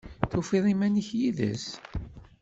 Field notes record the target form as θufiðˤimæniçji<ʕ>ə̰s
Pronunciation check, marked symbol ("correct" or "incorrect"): incorrect